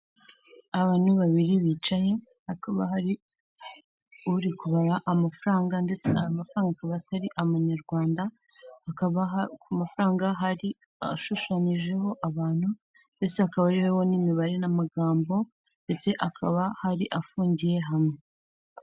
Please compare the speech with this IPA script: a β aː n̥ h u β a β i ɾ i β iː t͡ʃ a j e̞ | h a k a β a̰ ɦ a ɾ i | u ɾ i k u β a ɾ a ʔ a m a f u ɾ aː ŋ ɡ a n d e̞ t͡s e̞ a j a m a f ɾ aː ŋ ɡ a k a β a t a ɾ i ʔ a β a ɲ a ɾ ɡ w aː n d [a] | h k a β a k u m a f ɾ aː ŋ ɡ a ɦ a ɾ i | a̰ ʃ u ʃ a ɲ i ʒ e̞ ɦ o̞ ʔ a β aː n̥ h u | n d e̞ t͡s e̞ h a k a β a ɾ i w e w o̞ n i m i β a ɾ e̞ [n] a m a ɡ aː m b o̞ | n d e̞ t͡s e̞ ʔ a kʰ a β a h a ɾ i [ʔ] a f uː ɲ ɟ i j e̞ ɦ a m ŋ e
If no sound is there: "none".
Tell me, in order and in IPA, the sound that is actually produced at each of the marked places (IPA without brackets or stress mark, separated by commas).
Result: a, n, ʔ